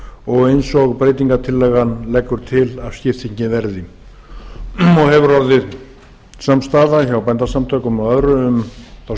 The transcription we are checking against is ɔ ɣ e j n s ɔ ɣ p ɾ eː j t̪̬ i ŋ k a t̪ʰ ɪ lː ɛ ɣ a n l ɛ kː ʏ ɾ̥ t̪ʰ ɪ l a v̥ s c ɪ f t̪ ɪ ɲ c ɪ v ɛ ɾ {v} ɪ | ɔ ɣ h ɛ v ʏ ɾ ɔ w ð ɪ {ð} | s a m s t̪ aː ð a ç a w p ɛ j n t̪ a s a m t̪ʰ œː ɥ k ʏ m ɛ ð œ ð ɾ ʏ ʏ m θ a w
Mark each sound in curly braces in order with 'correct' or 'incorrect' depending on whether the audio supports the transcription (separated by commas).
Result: incorrect, correct